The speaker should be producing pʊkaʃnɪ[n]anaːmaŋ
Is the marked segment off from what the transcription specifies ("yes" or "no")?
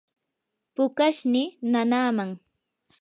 no